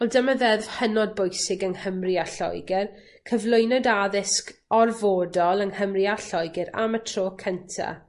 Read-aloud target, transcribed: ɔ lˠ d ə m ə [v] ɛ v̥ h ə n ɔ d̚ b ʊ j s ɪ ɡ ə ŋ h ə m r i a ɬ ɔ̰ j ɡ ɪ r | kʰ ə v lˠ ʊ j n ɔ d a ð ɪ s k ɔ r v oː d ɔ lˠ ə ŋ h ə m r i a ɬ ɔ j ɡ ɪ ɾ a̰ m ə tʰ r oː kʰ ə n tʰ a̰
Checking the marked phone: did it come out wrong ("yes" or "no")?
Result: yes